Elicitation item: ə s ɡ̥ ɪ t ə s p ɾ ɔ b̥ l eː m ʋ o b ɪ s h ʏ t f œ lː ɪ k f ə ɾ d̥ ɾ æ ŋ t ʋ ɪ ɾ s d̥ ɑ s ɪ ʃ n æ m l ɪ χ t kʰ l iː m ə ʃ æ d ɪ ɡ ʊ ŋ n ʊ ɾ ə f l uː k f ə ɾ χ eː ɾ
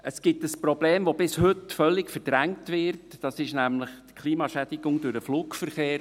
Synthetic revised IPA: ə s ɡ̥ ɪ t ə s p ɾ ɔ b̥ l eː m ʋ o b ɪ s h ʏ t f œ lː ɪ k f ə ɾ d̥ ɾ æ ŋ t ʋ ɪ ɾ t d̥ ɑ s ɪ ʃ n æ m l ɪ χ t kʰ l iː m ɑ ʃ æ d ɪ ɡ ʊ ŋ d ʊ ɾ ə f l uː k f ə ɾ χ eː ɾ